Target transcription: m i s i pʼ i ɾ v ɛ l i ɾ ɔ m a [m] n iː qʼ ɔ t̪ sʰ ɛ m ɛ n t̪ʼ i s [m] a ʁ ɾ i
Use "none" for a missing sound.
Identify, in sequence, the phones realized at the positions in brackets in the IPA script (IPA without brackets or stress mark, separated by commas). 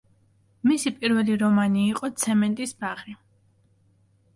none, b